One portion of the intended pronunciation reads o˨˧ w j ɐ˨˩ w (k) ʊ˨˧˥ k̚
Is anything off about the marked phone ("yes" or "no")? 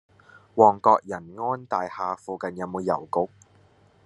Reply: no